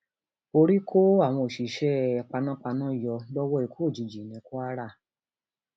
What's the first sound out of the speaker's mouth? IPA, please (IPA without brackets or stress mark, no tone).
o